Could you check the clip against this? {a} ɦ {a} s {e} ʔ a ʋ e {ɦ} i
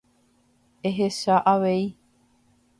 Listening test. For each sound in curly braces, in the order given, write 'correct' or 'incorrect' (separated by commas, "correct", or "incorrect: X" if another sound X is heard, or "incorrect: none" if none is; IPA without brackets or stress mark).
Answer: incorrect: e, incorrect: e, incorrect: a, incorrect: none